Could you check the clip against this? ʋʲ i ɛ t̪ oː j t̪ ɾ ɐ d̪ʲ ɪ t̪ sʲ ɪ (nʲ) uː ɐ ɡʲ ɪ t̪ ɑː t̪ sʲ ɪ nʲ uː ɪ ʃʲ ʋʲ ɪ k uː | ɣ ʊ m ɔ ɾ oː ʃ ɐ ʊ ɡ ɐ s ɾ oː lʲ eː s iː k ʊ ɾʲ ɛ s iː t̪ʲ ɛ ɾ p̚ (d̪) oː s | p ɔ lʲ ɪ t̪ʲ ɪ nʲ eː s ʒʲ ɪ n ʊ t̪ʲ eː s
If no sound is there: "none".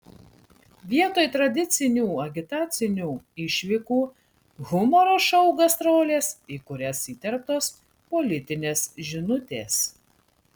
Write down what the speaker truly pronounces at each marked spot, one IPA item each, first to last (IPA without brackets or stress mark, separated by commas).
nʲ, t̪